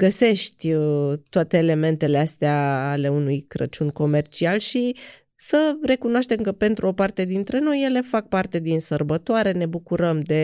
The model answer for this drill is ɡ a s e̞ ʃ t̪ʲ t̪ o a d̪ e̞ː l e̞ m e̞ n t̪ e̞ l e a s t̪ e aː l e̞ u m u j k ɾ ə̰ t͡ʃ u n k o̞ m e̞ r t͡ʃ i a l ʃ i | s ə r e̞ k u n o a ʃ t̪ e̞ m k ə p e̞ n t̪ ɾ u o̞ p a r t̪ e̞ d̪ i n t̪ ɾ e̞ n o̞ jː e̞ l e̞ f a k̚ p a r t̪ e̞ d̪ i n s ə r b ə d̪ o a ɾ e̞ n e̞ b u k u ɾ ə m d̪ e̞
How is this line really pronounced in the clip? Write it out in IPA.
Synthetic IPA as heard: ɡ ə s e̞ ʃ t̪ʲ t̪ o a t̪ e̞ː l e̞ m e̞ n t̪ e̞ l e a s t̪ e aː l e̞ u n u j k ɾ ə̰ t͡ʃ u n k o̞ m e̞ r t͡ʃ i a l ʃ i | s ə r e̞ k u n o a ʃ t̪ e̞ m k ə p e̞ n t̪ ɾ u o̞ p a r t̪ e̞ d̪ i n t̪ ɾ e̞ n o̞ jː e̞ l e̞ f a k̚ p a r t̪ e̞ d̪ i n s ə r b ə t̪ o a ɾ e̞ n e̞ b u k u ɾ ə m d̪ e̞